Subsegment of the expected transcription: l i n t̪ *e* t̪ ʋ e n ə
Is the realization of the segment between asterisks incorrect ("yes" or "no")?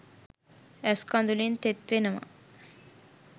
no